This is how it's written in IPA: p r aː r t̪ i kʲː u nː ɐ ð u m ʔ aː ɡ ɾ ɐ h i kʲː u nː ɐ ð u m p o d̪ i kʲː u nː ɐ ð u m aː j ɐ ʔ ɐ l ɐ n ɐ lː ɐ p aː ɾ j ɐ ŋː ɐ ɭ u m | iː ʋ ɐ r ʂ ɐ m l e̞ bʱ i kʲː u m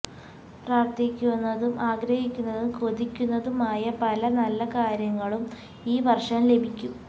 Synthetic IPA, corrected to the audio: p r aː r t̪ i kʲː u nː ɐ ð u m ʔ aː ɡ ɾ ɐ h i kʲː u nː ɐ ð u m k o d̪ i kʲː u nː ɐ ð u m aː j ɐ p ɐ l ɐ n ɐ lː ɐ k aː ɾ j ɐ ŋː ɐ ɭ u m | iː ʋ ɐ r ʂ ɐ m l e̞ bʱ i kʲː u m

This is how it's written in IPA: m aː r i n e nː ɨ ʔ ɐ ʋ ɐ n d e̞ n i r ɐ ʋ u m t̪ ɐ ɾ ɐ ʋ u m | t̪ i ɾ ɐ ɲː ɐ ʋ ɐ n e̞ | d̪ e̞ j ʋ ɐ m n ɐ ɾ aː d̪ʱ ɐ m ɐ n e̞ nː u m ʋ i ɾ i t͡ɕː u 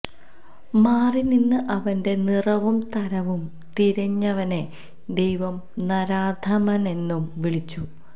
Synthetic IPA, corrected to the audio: m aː r i n i nː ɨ ʔ ɐ ʋ ɐ n d e̞ n i r ɐ ʋ u m t̪ ɐ ɾ ɐ ʋ u m | t̪ i ɾ ɐ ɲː ɐ ʋ ɐ n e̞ | d̪ e̞ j ʋ ɐ m n ɐ ɾ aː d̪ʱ ɐ m ɐ n e̞ nː u m ʋ i ɭ i t͡ɕː u

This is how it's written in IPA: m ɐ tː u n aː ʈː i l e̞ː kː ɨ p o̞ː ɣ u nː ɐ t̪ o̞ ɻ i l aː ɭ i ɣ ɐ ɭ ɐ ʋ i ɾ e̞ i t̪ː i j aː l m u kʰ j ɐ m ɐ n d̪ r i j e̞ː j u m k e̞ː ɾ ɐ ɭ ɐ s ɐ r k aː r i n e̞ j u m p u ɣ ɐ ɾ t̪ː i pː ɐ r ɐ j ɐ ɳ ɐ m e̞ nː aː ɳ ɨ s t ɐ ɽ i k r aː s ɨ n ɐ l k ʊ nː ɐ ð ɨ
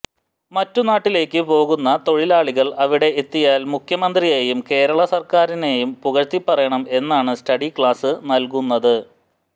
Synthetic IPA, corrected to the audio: m ɐ tː u n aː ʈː i l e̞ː kː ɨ p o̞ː ɣ u nː ɐ t̪ o̞ ɻ i l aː ɭ i ɣ ɐ ɭ ɐ ʋ i ɽ e̞ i t̪ː i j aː l m u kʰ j ɐ m ɐ n d̪ r i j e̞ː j u m k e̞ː ɾ ɐ ɭ ɐ s ɐ r k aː ɾ i n e̞ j u m p u ɣ ɐ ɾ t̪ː i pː ɐ r ɐ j ɐ ɳ ɐ m e̞ nː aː ɳ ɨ s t ɐ ɽ i k ɭ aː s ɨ n ɐ l k u nː ɐ ð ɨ

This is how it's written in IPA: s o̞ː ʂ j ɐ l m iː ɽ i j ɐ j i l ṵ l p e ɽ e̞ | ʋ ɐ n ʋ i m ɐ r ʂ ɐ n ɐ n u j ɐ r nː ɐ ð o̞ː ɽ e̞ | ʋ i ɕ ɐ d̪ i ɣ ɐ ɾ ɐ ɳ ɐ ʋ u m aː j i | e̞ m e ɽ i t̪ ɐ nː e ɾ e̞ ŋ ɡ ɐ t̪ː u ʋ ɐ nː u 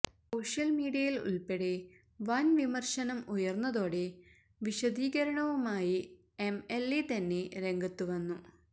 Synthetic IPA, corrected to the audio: s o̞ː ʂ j ɐ l m iː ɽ i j ɐ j i l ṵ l p e ɽ e̞ | ʋ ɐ n ʋ i m ɐ r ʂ ɐ n ɐ m u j ɐ r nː ɐ ð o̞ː ɽ e̞ | ʋ i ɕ ɐ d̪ iː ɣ ɐ ɾ ɐ ɳ ɐ ʋ u m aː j i | e̞ m e l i t̪ ɐ nː e ɾ e̞ ŋ ɡ ɐ t̪ː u ʋ ɐ nː u

